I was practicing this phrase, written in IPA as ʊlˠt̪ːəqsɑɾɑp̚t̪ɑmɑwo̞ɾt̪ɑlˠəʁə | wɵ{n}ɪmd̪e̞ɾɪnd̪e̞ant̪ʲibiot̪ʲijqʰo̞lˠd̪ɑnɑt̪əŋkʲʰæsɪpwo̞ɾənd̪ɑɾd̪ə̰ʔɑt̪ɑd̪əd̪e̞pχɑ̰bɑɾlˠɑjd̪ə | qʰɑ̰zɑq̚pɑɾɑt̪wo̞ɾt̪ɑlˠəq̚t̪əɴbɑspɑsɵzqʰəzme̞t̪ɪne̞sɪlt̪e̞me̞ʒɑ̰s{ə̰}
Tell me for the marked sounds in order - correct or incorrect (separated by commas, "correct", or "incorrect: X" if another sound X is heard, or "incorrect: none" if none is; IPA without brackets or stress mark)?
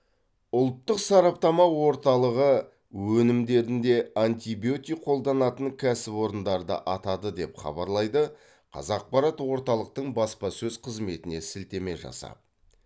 correct, incorrect: ɑ̰